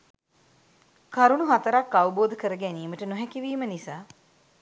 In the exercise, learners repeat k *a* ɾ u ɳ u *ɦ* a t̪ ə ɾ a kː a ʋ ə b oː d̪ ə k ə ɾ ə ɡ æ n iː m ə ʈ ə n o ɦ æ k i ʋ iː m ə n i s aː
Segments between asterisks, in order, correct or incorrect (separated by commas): correct, correct